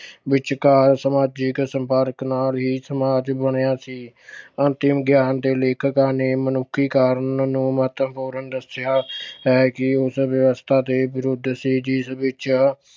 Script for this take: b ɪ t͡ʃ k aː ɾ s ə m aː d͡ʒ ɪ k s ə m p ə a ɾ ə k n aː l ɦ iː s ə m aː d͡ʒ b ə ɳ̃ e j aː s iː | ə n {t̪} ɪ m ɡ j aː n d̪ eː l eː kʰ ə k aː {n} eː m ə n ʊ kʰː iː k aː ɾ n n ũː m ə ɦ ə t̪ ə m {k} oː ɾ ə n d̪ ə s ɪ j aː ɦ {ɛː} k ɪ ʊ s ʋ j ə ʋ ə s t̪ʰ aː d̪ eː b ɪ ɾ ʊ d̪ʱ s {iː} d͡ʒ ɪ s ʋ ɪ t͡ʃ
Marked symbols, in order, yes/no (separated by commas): yes, yes, no, yes, yes